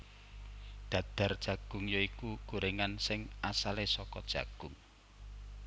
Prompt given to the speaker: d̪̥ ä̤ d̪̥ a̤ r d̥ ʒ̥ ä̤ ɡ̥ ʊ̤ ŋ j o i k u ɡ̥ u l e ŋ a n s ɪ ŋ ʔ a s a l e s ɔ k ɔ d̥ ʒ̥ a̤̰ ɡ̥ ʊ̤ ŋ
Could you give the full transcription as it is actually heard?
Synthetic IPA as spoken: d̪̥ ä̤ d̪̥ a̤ r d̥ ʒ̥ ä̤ ɡ̥ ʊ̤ ŋ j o i k u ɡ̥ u ɾ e ŋ a n s ɪ ŋ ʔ a s a l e s ɔ k ɔ d̥ ʒ̥ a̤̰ ɡ̥ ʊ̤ ŋ